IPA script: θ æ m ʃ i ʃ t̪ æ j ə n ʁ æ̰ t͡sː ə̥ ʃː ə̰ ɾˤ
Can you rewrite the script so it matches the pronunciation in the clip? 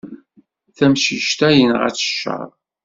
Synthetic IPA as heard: θ æ m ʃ i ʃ t̪ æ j ə n ʁ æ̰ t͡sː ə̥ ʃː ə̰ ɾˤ